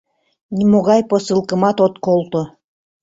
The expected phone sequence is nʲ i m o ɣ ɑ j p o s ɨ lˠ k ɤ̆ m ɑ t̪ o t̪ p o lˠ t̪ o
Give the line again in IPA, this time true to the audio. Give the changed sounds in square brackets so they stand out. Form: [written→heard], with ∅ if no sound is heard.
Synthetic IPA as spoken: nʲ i m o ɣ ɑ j p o s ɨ lˠ k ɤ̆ m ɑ t̪ o t̪ [p→k] o lˠ t̪ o